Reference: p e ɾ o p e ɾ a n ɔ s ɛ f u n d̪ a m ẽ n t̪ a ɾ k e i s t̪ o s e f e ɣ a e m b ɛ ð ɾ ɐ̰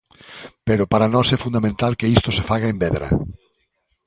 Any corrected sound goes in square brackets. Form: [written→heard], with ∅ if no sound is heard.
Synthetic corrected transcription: p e ɾ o p [e→a] ɾ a n ɔ s ɛ f u n d̪ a m ẽ n t̪ a [ɾ→l] k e i s t̪ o s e f [e→a] ɣ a e m b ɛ ð ɾ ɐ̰